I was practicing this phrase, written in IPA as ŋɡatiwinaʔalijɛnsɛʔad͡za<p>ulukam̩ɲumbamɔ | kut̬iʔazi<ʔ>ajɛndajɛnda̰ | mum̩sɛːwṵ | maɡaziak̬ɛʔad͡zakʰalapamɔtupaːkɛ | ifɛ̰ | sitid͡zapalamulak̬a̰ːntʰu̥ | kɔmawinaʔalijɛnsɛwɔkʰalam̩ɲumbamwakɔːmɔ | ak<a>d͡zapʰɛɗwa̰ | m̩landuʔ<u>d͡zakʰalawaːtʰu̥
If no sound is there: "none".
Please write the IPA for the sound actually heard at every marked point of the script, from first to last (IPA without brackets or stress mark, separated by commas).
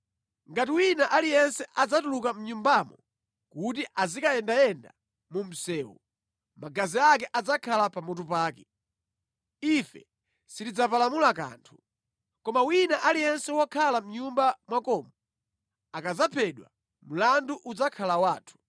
t, k, a, u